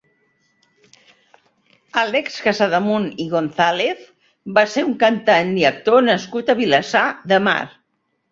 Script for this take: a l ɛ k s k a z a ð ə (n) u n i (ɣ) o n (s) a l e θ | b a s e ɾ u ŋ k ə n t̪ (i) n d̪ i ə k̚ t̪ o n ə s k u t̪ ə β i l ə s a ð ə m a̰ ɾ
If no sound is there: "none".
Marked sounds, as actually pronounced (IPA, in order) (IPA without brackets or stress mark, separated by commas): m, ɣ, θ, a